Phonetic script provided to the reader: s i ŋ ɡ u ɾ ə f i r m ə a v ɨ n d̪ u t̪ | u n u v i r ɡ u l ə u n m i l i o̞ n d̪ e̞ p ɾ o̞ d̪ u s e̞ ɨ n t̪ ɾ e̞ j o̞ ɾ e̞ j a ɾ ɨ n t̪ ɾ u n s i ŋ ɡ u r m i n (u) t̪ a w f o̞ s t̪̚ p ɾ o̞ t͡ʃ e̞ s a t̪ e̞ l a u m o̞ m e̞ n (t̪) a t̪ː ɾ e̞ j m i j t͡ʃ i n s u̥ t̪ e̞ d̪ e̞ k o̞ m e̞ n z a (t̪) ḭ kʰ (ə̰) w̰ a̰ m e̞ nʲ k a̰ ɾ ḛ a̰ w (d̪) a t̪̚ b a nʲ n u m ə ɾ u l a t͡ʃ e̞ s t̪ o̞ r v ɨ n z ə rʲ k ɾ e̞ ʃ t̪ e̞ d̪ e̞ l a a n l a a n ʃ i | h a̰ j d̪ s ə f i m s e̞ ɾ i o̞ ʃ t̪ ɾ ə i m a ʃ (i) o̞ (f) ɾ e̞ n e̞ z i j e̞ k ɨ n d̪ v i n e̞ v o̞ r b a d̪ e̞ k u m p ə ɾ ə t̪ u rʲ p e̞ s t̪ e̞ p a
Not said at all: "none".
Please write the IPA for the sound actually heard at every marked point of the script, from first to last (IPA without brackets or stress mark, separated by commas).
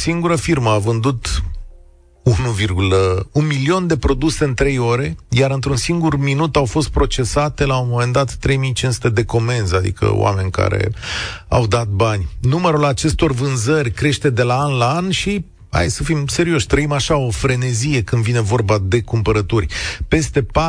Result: u, d̪, d̪, ə̰, d̪, a, f